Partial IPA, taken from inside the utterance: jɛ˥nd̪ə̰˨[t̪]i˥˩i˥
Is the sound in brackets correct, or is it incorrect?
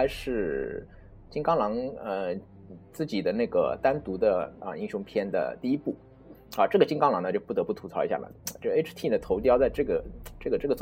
correct